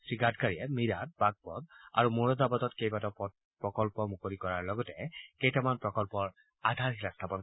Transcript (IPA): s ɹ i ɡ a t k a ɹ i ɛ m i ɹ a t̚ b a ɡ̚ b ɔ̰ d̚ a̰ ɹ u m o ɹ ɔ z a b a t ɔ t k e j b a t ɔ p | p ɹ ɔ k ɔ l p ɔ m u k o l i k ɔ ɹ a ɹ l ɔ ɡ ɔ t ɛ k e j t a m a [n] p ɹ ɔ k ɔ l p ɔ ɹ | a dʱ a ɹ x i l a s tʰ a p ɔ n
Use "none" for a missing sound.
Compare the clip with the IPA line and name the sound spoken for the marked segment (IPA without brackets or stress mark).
n